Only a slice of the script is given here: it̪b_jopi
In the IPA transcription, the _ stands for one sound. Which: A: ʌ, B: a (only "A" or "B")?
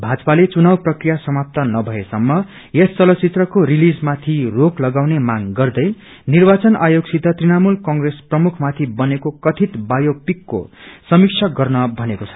B